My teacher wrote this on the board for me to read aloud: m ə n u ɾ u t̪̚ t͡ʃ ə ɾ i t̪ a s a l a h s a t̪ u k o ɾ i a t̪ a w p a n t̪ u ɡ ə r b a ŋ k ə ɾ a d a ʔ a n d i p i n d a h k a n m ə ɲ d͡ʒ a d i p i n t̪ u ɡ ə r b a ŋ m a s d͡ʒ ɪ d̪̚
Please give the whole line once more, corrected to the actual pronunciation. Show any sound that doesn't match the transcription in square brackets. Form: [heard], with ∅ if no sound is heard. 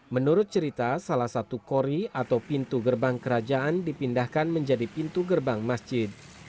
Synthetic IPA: m ə n u ɾ [ʊ] t̪̚ t͡ʃ ə ɾ i t̪ a s a l a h s a t̪ u k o ɾ i a t̪ a w p [i] n t̪ u ɡ ə r b a ŋ k ə ɾ a [d͡ʒ] a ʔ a n d i p i n d a h k a n m ə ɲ d͡ʒ a d i p i n t̪ u ɡ ə r b a ŋ m a s d͡ʒ ɪ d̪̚